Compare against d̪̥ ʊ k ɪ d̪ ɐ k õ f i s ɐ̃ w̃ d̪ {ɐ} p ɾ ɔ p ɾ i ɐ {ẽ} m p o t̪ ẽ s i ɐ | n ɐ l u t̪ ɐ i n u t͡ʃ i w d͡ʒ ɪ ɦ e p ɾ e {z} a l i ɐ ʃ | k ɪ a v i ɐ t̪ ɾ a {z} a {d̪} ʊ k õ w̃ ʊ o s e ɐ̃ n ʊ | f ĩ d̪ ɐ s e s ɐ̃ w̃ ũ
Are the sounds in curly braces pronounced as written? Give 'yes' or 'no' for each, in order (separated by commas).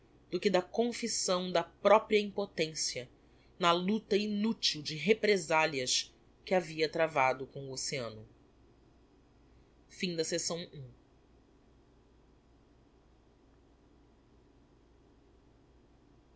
yes, no, yes, no, yes